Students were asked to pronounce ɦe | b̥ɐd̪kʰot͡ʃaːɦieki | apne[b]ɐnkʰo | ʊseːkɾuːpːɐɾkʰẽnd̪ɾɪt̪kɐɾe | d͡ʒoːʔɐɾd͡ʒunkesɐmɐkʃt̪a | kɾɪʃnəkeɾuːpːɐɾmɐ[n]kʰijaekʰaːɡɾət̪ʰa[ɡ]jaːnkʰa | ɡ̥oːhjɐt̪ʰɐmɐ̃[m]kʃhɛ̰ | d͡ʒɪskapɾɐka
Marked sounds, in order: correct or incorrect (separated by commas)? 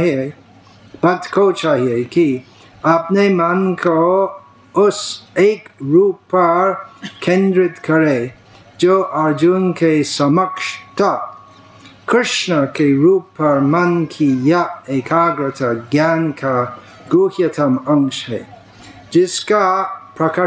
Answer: incorrect, correct, correct, incorrect